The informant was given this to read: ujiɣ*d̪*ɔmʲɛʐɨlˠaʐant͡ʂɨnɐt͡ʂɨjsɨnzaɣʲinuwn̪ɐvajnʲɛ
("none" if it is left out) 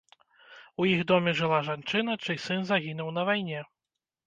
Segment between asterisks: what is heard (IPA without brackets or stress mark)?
d̪